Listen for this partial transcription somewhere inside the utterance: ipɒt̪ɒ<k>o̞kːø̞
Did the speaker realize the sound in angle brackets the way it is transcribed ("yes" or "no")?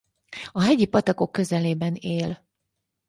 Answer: yes